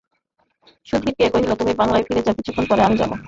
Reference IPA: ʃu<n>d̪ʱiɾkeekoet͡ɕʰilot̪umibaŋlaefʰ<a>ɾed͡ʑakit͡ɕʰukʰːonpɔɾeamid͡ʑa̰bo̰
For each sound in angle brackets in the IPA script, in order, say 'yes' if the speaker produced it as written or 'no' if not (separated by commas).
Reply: no, no